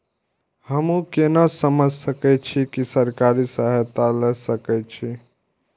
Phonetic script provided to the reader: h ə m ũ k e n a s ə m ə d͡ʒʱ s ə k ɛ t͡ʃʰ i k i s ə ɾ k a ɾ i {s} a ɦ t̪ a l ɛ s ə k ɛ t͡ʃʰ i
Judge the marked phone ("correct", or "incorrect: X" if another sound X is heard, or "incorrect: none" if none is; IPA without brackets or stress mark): correct